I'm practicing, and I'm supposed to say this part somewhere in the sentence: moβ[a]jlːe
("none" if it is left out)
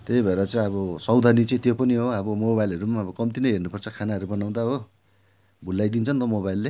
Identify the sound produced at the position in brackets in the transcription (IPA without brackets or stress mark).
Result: a